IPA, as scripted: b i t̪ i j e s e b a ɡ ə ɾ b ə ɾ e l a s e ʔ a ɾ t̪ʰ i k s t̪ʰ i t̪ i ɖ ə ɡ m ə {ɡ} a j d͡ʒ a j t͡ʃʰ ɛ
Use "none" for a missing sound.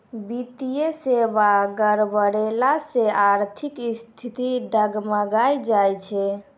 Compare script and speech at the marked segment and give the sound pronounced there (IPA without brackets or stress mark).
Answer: ɡ